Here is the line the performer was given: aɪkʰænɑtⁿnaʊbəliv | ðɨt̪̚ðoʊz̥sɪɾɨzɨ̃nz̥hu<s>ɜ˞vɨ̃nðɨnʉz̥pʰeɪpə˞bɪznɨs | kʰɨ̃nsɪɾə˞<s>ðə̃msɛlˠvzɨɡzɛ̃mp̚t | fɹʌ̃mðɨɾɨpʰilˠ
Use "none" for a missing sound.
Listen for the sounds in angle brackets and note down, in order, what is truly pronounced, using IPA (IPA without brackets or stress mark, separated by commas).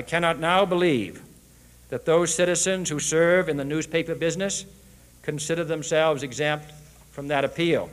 s, none